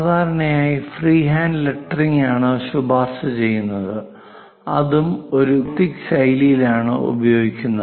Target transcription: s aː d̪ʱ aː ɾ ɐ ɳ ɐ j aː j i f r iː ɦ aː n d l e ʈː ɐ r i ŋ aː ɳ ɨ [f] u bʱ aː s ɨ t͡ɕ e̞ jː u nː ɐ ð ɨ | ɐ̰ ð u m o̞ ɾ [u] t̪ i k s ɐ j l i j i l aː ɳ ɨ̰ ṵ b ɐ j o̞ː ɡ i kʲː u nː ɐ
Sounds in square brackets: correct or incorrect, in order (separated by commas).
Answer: incorrect, correct